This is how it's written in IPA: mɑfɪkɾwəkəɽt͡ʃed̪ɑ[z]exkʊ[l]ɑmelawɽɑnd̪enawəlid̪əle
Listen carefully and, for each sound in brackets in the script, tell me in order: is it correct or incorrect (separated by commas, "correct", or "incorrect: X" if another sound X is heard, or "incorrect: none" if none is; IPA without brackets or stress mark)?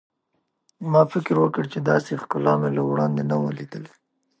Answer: incorrect: s, correct